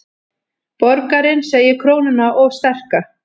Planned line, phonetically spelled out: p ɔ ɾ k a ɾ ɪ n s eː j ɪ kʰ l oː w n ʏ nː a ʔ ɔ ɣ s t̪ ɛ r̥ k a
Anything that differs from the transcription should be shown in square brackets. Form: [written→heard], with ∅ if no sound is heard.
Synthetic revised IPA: p ɔ ɾ k a ɾ ɪ n s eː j ɪ kʰ [l→ɾ] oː w n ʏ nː a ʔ ɔ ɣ s t̪ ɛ r̥ k a